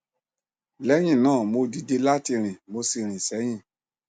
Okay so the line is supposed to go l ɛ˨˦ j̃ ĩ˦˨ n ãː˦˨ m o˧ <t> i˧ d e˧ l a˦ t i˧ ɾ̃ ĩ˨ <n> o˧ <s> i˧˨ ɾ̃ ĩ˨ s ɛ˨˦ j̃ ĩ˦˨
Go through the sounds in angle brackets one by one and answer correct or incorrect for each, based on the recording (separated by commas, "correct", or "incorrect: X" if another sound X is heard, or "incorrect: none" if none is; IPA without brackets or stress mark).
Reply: incorrect: d, incorrect: m, correct